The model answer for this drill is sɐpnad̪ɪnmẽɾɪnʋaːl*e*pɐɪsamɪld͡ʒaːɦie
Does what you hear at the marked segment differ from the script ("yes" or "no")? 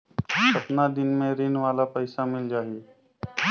yes